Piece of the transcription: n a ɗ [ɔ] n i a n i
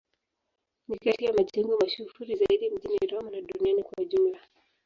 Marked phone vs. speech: incorrect: u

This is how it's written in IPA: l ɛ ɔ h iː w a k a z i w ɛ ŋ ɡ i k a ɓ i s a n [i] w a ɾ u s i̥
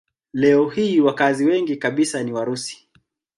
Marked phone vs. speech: correct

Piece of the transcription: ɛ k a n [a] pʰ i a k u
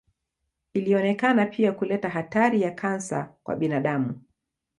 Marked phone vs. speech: correct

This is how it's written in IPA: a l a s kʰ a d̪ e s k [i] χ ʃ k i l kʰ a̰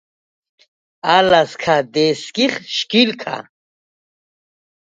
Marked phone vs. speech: correct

